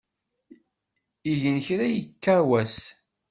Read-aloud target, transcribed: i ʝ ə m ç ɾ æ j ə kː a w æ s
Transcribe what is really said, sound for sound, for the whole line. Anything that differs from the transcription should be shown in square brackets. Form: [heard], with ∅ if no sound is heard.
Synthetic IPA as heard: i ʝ ə [n] ç ɾ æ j ə kː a w æ s